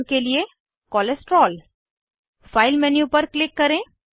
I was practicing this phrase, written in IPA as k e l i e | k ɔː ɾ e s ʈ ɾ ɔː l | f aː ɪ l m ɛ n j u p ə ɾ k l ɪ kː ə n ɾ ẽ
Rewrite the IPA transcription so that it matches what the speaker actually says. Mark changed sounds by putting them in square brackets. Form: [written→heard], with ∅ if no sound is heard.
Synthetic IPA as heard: k e l i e | k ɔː [ɾ→l] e s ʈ ɾ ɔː l | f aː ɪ l m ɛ n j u p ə ɾ k l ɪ kː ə [n→∅] ɾ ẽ